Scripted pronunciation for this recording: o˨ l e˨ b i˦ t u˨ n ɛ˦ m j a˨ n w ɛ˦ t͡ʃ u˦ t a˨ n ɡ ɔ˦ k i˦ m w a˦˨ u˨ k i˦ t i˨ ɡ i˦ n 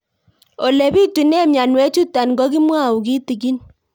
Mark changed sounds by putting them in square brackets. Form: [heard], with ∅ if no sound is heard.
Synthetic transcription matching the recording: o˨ l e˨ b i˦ t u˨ n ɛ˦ m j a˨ n w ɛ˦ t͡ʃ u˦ t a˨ n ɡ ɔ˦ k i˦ m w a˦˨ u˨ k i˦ t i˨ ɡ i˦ n